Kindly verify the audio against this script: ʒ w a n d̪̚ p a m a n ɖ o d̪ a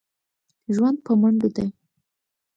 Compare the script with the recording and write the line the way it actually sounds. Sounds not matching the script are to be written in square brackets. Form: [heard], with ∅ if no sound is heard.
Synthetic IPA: ʒ w a n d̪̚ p [ə] m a [ɳ] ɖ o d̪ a